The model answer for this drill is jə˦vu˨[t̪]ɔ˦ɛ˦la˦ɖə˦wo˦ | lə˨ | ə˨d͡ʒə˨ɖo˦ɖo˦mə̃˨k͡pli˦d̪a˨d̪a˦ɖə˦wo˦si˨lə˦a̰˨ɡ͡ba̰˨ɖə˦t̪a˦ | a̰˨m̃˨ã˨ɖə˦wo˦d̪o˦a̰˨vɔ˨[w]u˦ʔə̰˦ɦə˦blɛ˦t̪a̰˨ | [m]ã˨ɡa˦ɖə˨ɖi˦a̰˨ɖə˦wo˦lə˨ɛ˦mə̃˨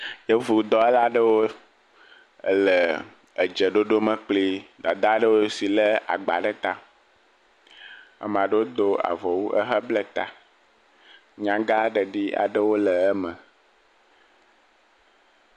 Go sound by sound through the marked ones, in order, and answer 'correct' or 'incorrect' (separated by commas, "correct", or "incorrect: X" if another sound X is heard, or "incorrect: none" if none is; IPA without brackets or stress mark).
incorrect: d̪, correct, incorrect: ɲ